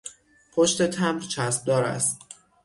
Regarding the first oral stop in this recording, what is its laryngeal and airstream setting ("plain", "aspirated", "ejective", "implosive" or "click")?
aspirated